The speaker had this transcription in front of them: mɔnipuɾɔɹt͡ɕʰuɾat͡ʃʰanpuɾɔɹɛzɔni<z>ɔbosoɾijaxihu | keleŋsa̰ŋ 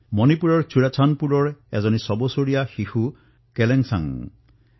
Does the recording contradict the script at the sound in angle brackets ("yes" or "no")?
yes